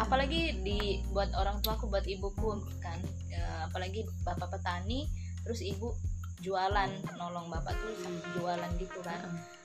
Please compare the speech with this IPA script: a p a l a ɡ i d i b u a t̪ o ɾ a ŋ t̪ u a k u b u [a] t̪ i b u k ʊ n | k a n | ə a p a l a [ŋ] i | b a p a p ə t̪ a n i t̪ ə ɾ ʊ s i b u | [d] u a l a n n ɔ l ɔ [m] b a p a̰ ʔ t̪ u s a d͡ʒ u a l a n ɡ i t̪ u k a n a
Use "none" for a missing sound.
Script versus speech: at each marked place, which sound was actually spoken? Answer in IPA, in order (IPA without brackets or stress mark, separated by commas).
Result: a, ɡ, d͡ʒ, ŋ